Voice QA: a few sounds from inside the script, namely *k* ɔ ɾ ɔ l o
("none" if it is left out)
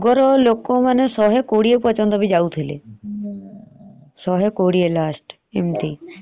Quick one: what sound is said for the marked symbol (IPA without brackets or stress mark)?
ɡ